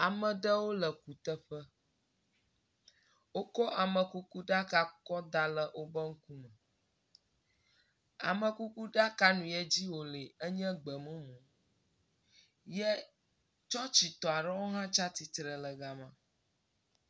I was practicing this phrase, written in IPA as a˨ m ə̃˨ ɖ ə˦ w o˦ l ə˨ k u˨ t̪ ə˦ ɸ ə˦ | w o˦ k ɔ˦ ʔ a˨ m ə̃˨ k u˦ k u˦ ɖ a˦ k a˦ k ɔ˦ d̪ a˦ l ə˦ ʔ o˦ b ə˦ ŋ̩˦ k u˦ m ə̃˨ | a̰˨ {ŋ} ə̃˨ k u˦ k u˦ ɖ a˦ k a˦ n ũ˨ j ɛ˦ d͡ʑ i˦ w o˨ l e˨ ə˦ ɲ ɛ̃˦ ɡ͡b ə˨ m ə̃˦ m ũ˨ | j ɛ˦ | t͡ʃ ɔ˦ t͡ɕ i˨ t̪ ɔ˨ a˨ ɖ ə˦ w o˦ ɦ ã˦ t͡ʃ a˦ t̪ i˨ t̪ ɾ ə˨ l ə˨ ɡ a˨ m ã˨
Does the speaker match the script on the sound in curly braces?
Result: no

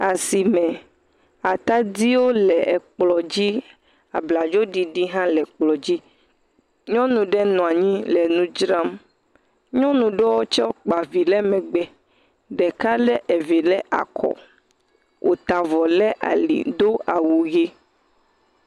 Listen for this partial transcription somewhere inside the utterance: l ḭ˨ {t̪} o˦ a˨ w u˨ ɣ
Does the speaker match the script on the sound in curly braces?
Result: no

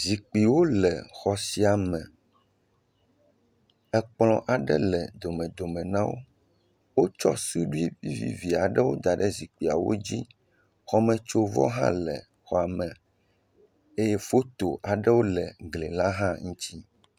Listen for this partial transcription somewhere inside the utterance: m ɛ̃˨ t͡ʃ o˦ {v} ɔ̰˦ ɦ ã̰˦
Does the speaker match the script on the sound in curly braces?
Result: yes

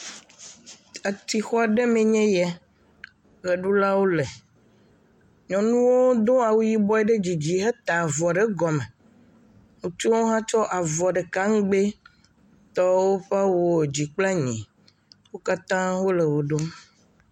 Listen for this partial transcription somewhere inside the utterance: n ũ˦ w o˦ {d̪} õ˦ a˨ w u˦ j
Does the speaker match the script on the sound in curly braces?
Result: yes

